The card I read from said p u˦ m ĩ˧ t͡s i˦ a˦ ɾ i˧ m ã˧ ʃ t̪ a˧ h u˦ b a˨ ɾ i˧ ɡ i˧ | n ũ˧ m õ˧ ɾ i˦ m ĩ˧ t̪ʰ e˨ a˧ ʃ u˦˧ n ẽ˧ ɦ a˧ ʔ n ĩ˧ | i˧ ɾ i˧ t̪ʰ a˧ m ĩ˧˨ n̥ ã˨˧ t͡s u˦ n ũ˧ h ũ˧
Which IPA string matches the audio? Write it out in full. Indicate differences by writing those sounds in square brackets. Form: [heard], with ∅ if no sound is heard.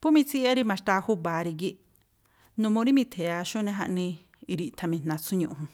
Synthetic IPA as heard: p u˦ m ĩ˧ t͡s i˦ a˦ ɾ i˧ m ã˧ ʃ t̪ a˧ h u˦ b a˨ ɾ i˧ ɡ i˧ | n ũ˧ m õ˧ ɾ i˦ m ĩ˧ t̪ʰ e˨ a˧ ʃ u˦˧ n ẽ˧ ɦ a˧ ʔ n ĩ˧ | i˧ ɾ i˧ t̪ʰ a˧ m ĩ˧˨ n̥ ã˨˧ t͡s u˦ [ɲ] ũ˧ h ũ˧